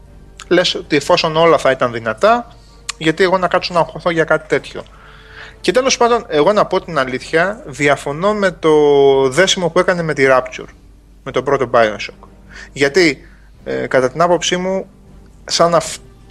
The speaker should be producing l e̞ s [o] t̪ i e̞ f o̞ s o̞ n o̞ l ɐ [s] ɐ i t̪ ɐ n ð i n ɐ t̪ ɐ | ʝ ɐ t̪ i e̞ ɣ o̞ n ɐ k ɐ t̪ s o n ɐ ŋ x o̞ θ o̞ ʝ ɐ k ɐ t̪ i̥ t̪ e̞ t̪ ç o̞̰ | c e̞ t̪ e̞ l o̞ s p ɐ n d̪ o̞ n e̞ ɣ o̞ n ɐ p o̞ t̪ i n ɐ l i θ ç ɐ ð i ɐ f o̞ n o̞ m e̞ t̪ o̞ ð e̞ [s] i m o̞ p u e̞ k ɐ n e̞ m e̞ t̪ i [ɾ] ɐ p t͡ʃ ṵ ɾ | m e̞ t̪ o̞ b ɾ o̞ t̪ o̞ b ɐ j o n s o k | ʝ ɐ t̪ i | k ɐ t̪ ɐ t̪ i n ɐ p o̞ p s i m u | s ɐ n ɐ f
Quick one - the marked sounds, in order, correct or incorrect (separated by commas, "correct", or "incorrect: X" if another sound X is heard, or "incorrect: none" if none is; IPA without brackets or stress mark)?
correct, incorrect: θ, correct, correct